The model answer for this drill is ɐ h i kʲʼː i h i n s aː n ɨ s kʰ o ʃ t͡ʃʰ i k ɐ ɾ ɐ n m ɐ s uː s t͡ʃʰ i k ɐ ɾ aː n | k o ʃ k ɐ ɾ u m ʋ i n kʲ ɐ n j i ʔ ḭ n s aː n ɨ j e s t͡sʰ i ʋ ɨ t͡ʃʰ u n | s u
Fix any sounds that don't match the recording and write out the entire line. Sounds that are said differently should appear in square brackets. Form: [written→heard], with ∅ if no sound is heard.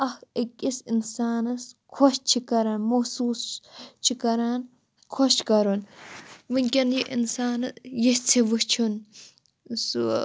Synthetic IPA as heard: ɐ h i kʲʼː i [h→s] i n s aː n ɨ s kʰ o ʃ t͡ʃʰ i k ɐ ɾ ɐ n m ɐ s uː s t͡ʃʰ i k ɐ ɾ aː n | [k→kʰ] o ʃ k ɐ ɾ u [m→n] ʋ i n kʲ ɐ n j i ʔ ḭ n s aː n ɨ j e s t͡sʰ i ʋ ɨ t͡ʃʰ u n | s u